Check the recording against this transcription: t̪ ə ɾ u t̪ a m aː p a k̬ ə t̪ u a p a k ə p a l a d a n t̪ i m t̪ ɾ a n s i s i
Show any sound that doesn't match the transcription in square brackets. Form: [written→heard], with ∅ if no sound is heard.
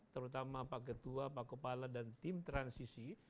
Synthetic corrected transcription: t̪ ə ɾ u t̪ a m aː p a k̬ ə t̪ u a p a k ə p a l a d a n t̪ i m t̪ ɾ a n s i s i